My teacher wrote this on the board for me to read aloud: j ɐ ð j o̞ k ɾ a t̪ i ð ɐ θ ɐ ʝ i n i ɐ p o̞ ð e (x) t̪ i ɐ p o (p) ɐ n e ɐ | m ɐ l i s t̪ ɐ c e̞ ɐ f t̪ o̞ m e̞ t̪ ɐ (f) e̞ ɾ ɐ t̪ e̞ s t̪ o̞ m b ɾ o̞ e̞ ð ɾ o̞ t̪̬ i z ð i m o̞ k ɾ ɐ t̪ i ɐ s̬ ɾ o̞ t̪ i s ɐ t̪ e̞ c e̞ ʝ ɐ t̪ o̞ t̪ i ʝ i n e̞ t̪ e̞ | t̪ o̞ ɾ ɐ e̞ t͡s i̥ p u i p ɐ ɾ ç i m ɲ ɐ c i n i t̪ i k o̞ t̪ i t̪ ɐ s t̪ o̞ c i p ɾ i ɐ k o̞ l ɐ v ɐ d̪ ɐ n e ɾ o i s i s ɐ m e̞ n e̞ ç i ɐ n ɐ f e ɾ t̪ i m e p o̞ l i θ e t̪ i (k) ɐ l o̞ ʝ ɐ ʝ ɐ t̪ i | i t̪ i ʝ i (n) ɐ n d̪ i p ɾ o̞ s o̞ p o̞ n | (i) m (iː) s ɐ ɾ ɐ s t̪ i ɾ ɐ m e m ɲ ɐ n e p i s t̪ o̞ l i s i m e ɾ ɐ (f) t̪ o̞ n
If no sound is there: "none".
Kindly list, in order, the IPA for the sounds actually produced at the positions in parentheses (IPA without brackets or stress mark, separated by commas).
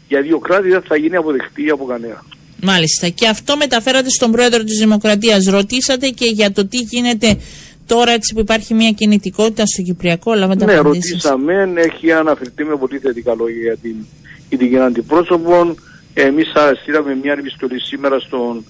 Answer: x, k, f, k, n, e, i, s